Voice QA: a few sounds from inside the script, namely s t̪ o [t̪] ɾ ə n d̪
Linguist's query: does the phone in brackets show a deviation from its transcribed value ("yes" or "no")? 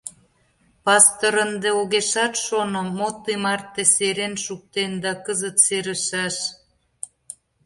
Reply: yes